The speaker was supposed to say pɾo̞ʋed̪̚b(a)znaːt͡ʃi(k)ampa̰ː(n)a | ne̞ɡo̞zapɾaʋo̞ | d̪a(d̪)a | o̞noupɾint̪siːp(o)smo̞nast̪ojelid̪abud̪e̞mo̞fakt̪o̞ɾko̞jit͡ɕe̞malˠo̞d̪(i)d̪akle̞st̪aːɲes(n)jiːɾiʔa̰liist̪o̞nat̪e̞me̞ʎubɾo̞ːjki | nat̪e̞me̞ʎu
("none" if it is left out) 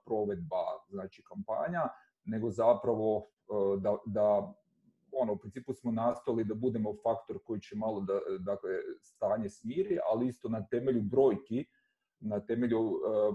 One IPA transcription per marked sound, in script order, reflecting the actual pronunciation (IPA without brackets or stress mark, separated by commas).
a, k, ɲ, d̪, u, a, m